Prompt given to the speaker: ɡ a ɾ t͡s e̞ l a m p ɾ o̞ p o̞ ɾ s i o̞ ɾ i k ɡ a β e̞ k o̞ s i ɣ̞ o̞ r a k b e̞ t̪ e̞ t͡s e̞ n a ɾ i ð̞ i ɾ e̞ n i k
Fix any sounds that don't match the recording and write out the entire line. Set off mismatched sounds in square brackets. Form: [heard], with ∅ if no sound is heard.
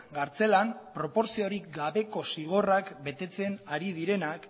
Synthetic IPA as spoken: ɡ a ɾ t͡s e̞ l a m p ɾ o̞ p o̞ ɾ s i o̞ ɾ i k ɡ a β e̞ k o̞ s i ɣ̞ o̞ r a k b e̞ t̪ e̞ t͡s e̞ n a ɾ i ð̞ i ɾ e̞ n [a] k

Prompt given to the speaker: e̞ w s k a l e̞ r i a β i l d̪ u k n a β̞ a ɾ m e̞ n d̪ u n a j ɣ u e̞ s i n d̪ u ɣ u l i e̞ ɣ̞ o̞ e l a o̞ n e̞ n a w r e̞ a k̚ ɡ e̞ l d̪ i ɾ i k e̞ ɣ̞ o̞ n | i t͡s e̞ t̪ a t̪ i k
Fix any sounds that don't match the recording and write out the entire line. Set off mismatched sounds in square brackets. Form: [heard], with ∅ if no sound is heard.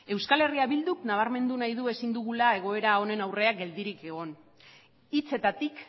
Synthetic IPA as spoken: e̞ w s k a l e̞ r i a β i l d̪ u k n a β̞ a ɾ m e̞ n d̪ u n a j [ð] u e̞ s i n d̪ u ɣ u l [a] e̞ ɣ̞ o̞ e [ɾ] a o̞ n e̞ n a w r e̞ a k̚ ɡ e̞ l d̪ i ɾ i k e̞ ɣ̞ o̞ n | i t͡s e̞ t̪ a t̪ i k

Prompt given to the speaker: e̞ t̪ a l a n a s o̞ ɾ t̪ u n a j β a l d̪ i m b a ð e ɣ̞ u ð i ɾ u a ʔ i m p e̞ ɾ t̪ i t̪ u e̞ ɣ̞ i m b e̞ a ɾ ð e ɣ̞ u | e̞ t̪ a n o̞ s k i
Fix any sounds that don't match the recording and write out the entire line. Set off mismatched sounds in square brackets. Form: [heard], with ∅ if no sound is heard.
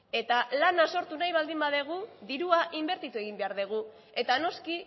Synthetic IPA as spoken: e̞ t̪ a l a n a s o̞ ɾ t̪ u n a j β a l d̪ i m b a ð e ɣ̞ u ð i ɾ u a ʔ i m [b] e̞ ɾ t̪ i t̪ u e̞ ɣ̞ i m b e̞ a ɾ ð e ɣ̞ u | e̞ t̪ a n o̞ s k i

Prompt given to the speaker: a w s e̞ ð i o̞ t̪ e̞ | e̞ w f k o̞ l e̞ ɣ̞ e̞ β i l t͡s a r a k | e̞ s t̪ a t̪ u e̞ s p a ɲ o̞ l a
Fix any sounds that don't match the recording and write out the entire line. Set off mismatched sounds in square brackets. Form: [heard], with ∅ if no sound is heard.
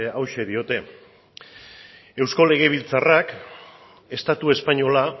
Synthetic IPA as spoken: a w [ʃ] e̞ ð i o̞ t̪ e̞ | e̞ w [s] k o̞ l e̞ ɣ̞ e̞ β i l t͡s a r a k | e̞ s t̪ a t̪ u e̞ s p a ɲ o̞ l a

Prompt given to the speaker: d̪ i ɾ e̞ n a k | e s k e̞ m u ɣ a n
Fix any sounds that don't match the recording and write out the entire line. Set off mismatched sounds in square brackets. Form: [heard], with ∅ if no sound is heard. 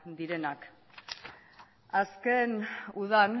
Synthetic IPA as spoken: d̪ i ɾ e̞ n a k | [a] s k e̞ [n] u [ð] a n

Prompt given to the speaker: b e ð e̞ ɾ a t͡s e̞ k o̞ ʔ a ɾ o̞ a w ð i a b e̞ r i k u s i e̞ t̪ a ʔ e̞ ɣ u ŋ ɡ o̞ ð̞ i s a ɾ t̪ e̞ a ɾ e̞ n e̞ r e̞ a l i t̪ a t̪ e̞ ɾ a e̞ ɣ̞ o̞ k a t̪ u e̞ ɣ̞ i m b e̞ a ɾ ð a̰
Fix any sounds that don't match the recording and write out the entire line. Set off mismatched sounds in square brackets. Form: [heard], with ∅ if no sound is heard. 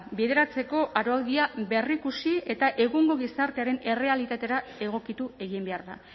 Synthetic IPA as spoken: b e ð e̞ ɾ a t͡s e̞ k o̞ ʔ a ɾ o̞ a w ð i a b e̞ r i k u s i e̞ t̪ a ʔ e̞ ɣ u ŋ ɡ o̞ [ɣ̞] i s a ɾ t̪ e̞ a ɾ e̞ n e̞ r e̞ a l i t̪ a t̪ e̞ ɾ a e̞ ɣ̞ o̞ k [i] t̪ u e̞ ɣ̞ i m b e̞ a ɾ ð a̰

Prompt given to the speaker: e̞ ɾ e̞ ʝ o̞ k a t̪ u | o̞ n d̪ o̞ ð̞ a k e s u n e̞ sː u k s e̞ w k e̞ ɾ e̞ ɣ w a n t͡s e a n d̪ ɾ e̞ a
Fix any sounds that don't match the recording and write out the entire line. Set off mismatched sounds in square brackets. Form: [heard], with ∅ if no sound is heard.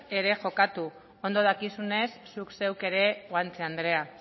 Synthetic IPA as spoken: e̞ ɾ e̞ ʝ o̞ k a t̪ u | o̞ n d̪ o̞ ð̞ a k [i] s u n e̞ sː u k s e̞ w k e̞ ɾ e̞ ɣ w a n t͡s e a n d̪ ɾ e̞ a

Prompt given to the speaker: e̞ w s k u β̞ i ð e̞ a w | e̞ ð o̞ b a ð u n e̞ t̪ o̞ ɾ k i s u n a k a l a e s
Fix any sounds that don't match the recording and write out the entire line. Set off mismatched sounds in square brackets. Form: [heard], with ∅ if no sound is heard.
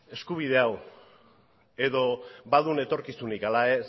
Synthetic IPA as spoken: e̞ [∅] s k u β̞ i ð e̞ a w | e̞ ð o̞ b a ð u n e̞ t̪ o̞ ɾ k i s u n [i] k a l a e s

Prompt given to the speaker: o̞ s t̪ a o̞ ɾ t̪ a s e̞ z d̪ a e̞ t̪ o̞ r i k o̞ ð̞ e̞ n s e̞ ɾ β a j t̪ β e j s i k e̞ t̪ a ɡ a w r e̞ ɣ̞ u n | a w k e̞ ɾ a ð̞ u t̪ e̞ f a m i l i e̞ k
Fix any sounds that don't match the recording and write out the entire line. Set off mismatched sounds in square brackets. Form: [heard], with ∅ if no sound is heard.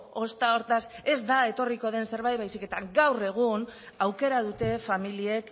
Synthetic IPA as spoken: o̞ s t̪ a o̞ ɾ t̪ a s e̞ z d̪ a e̞ t̪ o̞ r i k o̞ ð̞ e̞ n s e̞ ɾ β a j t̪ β [a] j s i k e̞ t̪ a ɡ a w r e̞ ɣ̞ u n | a w k e̞ ɾ a ð̞ u t̪ e̞ f a m i l i e̞ k

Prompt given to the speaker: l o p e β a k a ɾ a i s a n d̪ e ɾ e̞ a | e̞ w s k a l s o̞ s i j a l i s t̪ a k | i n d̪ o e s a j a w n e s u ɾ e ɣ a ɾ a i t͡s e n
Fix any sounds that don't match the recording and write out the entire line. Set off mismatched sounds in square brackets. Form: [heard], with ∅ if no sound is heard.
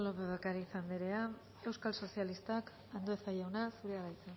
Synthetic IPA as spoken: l o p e β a k a ɾ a i s a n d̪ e ɾ e̞ a | e̞ w s k a l s o̞ s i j a l i s t̪ a k | [a] n d̪ o e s a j a w n [a] s u ɾ e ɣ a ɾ a [j] t͡s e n

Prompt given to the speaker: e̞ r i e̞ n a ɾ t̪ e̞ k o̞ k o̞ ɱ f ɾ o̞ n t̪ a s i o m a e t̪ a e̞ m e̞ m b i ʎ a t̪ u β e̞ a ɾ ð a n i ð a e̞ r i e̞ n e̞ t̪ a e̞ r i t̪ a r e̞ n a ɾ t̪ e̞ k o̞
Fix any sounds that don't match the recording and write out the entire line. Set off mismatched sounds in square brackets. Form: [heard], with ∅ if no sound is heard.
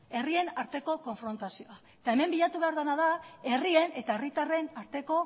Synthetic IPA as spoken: e̞ r i e̞ n a ɾ t̪ e̞ k o̞ k o̞ ɱ f ɾ o̞ n t̪ a s i o [∅] a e t̪ a e̞ m e̞ m b i ʎ a t̪ u β e̞ a ɾ ð a n [a] ð a e̞ r i e̞ n e̞ t̪ a e̞ r i t̪ a r e̞ n a ɾ t̪ e̞ k o̞

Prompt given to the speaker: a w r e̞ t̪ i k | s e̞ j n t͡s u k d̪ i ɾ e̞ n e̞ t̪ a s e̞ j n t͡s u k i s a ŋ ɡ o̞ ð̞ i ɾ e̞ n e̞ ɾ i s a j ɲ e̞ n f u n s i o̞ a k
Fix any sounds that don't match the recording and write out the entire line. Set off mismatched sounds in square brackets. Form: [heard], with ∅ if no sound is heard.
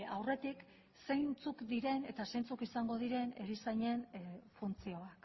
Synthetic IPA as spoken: a w r e̞ t̪ i k | s e̞ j n t͡s u k d̪ i ɾ e̞ n e̞ t̪ a s e̞ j n t͡s u k i s a ŋ ɡ o̞ ð̞ i ɾ e̞ n e̞ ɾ i s a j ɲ e̞ n f u n [t͡s] i o̞ a k

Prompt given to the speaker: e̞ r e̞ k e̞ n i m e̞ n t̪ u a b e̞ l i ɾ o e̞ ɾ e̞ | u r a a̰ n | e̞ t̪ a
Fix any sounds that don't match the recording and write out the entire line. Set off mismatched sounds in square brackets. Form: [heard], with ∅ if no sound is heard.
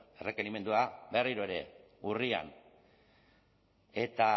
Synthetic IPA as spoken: e̞ r e̞ k e̞ n i m e̞ n [d̪] u a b e̞ [r] i ɾ o e̞ ɾ e̞ | u r [i] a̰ n | e̞ t̪ a

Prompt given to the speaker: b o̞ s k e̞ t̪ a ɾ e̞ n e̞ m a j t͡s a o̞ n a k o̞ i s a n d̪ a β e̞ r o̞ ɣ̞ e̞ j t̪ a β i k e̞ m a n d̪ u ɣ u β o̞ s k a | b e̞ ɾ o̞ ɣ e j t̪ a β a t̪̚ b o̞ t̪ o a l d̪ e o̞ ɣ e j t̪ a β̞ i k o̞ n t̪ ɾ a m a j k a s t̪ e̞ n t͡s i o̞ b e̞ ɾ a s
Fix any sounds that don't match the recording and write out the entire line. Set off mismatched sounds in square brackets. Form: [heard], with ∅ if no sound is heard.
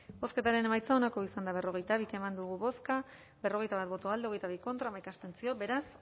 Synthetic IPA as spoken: b o̞ s k e̞ t̪ a ɾ e̞ n e̞ m a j t͡s a o̞ n a k o̞ i s a n d̪ a β e̞ r o̞ ɣ̞ e̞ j t̪ a β i k e̞ m a n d̪ u ɣ u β o̞ s k a | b e̞ [r] o̞ ɣ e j t̪ a β a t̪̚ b o̞ t̪ o a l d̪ e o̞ ɣ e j t̪ a β̞ i k o̞ n t̪ ɾ a m a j k a s t̪ e̞ n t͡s i o̞ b e̞ ɾ a s

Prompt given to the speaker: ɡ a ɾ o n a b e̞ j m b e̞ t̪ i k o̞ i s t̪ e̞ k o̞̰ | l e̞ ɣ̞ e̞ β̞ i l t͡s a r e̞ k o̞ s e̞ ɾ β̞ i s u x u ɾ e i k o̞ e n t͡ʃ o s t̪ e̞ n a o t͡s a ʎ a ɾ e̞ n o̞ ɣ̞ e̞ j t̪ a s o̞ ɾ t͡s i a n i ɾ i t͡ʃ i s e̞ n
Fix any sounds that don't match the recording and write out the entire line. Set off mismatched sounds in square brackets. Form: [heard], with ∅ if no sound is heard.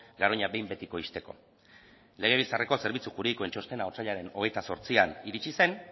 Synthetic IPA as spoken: ɡ a ɾ o [ɲ] a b e̞ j m b e̞ t̪ i k o̞ i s t̪ e̞ k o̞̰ | l e̞ ɣ̞ e̞ β̞ i l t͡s a r e̞ k o̞ s e̞ ɾ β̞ i [t͡s] u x u ɾ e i k o̞ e n t͡ʃ o s t̪ e̞ n a o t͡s a ʎ a ɾ e̞ n o̞ ɣ̞ e̞ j t̪ a s o̞ ɾ t͡s i a n i ɾ i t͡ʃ i s e̞ n

